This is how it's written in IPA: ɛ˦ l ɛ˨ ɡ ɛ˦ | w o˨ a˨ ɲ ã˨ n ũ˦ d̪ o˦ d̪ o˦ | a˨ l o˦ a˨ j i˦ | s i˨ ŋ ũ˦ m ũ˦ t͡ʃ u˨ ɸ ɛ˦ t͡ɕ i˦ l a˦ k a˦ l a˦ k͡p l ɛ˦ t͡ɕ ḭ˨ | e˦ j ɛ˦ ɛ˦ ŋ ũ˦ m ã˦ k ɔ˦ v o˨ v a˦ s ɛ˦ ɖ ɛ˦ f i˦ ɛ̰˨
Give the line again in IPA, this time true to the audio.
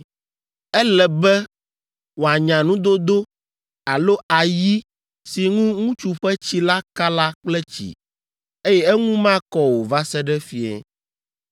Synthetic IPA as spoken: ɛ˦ l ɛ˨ b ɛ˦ | w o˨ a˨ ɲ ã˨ n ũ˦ d̪ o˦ d̪ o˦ | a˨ l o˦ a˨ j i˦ | s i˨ ŋ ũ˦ ŋ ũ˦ t͡ʃ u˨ ɸ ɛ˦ t͡ɕ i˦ l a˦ k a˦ l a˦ k͡p l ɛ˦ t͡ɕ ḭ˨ | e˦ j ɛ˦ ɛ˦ ŋ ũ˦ m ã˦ k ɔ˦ w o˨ v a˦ s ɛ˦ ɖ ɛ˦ f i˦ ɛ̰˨

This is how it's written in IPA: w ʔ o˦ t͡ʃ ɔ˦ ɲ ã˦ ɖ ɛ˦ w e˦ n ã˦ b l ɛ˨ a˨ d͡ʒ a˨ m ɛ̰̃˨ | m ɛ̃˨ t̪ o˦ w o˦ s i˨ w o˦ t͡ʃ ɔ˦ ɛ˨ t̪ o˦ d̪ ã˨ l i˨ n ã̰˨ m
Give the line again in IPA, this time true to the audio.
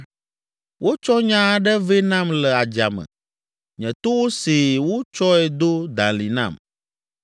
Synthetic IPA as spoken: w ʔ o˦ t͡ʃ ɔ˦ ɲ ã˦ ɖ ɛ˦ v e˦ n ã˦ m l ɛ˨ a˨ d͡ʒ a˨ m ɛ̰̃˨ | ɲ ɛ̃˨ t̪ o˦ w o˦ s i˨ w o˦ t͡ʃ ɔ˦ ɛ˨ d̪ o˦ d̪ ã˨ l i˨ n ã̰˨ m

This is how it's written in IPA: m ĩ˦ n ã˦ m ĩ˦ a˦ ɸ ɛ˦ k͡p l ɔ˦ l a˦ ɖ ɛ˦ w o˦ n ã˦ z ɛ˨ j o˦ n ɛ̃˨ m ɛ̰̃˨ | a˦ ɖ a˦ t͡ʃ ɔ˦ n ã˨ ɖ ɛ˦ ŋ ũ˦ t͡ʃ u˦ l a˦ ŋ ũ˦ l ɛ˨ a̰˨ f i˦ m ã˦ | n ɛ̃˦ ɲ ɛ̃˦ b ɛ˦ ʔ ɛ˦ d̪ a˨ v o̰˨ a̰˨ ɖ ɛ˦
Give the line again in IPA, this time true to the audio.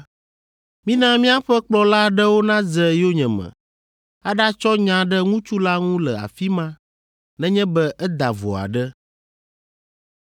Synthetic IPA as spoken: m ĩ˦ n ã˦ m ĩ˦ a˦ ɸ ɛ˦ k͡p l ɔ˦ l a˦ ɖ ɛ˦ w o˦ n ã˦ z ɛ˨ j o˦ ɲ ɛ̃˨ m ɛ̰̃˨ | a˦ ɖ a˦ t͡ʃ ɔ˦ ɲ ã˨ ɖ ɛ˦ ŋ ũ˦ t͡ʃ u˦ l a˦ ŋ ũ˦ l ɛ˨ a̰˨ f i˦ m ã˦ | n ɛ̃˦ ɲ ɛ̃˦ b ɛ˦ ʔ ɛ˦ d̪ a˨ v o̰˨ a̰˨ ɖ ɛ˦

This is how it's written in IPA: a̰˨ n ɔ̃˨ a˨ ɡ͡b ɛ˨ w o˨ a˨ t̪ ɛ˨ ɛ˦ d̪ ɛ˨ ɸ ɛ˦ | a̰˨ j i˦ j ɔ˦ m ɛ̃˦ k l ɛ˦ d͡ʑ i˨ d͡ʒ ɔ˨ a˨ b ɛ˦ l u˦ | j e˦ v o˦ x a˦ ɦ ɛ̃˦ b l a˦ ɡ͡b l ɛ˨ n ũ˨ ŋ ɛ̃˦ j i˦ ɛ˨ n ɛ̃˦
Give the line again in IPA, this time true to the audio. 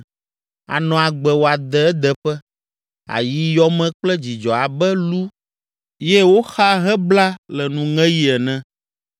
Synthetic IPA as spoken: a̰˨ n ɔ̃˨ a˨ ɡ͡b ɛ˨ w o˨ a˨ d̪ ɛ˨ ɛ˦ d̪ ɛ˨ ɸ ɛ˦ | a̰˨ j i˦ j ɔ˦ m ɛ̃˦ k͡p l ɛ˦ d͡ʑ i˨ d͡ʒ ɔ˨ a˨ b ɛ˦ l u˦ | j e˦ w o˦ x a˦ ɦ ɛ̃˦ b l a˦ l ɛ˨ n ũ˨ ŋ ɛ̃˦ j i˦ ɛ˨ n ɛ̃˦

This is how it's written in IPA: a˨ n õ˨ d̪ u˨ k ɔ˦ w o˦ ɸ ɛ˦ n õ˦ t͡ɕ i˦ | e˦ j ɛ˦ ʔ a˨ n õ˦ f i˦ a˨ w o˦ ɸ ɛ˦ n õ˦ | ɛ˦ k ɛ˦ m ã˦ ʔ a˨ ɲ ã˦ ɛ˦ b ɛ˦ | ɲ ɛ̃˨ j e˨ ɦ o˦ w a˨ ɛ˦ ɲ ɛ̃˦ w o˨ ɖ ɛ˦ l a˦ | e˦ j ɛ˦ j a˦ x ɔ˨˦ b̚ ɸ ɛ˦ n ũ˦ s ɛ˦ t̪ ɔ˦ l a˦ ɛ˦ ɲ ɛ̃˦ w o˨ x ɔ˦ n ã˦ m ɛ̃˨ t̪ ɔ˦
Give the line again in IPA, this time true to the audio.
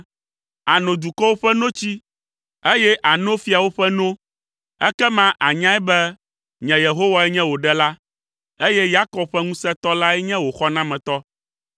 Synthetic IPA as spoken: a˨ n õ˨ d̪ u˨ k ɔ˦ w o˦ ɸ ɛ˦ n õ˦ t͡ɕ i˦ | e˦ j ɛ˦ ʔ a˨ n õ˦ f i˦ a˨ w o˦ ɸ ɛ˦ n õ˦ | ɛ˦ k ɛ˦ m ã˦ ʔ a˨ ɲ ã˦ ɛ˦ b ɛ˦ | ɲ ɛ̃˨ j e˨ ɦ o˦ w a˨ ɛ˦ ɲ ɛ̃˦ w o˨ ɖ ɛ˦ l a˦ | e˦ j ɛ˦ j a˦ k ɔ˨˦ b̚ ɸ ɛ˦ ŋ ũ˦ s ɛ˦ t̪ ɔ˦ l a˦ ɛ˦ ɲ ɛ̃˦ w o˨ x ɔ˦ n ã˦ m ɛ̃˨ t̪ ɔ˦

